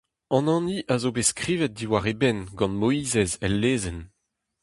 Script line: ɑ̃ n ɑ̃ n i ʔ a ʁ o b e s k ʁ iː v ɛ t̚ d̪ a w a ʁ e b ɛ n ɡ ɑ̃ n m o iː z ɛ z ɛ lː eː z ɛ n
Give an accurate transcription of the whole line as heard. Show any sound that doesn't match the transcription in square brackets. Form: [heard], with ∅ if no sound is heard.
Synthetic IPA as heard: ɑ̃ n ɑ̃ n i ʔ a [z] o b e s k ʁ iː v ɛ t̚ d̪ [i] w a ʁ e b ɛ n ɡ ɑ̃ n m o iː z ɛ z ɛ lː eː z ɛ n